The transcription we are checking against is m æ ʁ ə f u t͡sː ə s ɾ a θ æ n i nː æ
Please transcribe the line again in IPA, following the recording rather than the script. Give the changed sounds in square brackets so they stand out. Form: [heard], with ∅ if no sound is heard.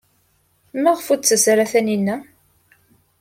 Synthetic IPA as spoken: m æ ʁ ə f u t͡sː ə s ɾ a θ æ n i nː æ

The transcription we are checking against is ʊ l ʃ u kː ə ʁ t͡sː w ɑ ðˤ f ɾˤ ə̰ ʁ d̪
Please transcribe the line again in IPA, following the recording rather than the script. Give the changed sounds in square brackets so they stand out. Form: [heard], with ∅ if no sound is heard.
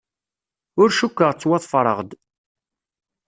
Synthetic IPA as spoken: ʊ [ɾ] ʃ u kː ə ʁ t͡sː w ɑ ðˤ f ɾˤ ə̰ ʁ d̪

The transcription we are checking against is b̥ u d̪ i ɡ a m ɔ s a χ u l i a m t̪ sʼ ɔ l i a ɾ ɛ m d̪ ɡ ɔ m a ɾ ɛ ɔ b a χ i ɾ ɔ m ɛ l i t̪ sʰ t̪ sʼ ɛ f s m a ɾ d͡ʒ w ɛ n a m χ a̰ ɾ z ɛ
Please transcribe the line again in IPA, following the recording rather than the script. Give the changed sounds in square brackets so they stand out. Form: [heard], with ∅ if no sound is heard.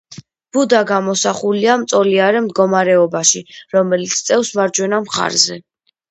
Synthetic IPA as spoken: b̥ u d̪ [a] ɡ a m ɔ s a χ u l i a m t̪ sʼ ɔ l i a ɾ ɛ m d̪ ɡ ɔ m a ɾ ɛ ɔ b a [ʃ] i ɾ ɔ m ɛ l i t̪ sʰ t̪ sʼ ɛ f s m a ɾ d͡ʒ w ɛ n a m χ a̰ ɾ z ɛ

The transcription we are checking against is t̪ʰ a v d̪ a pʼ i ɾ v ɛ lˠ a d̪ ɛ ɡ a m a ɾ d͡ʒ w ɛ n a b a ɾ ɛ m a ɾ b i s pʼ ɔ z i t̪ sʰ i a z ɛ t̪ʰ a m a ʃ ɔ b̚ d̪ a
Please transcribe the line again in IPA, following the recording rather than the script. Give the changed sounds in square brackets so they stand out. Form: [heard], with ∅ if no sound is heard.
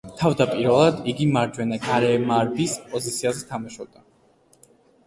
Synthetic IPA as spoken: t̪ʰ a v d̪ a pʼ i ɾ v ɛ lˠ a d̪ [i] ɡ [i] m a ɾ d͡ʒ w ɛ n a [ɡ] a ɾ ɛ m a ɾ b i s pʼ ɔ z i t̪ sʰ i a z ɛ t̪ʰ a m a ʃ ɔ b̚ d̪ a

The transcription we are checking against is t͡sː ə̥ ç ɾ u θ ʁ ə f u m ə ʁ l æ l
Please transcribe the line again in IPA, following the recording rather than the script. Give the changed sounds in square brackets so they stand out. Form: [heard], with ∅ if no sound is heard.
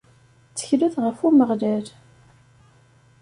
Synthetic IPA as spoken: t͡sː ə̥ ç [l] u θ ʁ ə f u m ə ʁ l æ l

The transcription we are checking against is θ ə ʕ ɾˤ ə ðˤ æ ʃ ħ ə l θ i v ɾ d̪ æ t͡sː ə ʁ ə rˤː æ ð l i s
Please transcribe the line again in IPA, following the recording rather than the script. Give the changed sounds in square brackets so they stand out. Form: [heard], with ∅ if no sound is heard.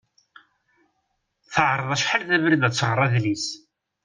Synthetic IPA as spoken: θ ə ʕ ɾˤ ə ðˤ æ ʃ ħ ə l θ [æ] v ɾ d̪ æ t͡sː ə ʁ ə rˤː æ ð l i s

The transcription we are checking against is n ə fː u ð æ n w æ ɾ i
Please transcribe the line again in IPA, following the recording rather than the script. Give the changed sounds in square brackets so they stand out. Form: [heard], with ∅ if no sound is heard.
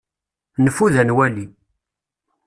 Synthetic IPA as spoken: n ə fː u ð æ n w æ [l] i

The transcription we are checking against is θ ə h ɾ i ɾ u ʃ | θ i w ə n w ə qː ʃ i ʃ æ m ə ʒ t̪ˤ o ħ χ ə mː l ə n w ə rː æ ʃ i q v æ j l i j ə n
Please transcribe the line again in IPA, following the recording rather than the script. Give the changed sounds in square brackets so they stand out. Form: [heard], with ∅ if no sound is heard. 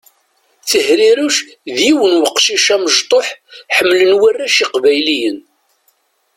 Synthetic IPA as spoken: θ ə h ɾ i ɾ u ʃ | [ð] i w ə n w ə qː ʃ i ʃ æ m ə ʒ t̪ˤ o ħ [ħ] ə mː l ə n w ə rː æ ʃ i q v æ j l i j ə n

